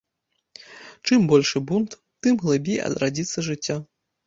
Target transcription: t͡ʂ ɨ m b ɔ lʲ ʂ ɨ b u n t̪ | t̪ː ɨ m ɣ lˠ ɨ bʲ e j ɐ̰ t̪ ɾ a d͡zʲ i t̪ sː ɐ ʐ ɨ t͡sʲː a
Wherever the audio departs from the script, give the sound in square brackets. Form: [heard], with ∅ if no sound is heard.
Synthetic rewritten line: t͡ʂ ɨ m b ɔ lʲ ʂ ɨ b u n t̪ | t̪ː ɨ m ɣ lˠ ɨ bʲ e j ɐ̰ [d̪] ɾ a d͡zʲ i t̪ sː ɐ ʐ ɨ t͡sʲː a